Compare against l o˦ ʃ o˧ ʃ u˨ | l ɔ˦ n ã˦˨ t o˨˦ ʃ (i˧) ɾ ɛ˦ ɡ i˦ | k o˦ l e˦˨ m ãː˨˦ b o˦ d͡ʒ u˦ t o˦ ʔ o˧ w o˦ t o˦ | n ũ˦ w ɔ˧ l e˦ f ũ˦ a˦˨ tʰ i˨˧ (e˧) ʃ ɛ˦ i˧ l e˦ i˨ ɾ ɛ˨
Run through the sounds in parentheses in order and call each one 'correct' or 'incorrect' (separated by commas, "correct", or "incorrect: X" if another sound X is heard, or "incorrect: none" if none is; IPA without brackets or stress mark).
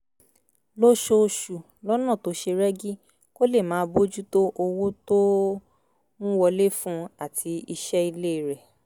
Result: incorrect: e˧, incorrect: i˧